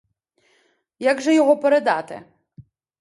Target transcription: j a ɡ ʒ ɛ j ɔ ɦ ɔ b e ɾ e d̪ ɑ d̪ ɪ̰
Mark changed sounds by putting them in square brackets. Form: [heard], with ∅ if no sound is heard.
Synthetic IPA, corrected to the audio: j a ɡ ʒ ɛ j ɔ ɦ ɔ [p] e ɾ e d̪ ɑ [t̪] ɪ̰